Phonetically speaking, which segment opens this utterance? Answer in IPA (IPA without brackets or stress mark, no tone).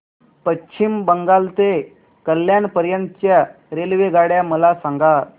p